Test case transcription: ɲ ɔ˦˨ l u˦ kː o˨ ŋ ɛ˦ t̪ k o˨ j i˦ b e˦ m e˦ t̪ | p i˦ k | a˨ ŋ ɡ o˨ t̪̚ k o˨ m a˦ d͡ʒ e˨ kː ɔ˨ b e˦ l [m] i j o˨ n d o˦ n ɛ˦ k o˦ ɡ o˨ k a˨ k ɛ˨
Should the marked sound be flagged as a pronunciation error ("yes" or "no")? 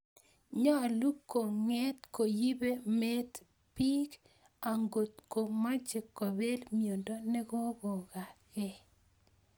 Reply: no